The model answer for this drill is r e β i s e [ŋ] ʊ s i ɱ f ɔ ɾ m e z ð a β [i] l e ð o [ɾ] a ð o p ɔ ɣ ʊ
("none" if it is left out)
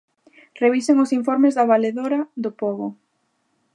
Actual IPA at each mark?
ŋ, a, ɾ

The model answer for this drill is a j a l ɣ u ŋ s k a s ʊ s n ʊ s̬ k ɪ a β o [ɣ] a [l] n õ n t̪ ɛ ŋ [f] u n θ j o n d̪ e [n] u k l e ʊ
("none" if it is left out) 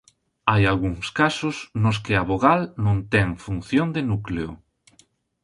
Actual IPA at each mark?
ɣ, l, f, n

